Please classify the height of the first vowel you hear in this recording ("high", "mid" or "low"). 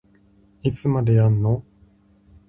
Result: high